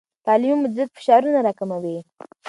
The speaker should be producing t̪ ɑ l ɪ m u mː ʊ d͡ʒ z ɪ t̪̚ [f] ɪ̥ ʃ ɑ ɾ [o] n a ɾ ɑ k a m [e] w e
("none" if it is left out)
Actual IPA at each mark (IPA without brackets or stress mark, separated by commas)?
f, u, a